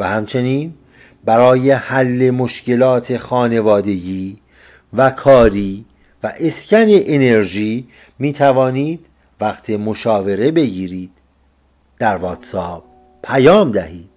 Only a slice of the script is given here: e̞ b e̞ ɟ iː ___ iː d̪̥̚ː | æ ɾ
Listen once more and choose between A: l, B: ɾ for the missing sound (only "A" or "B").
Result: B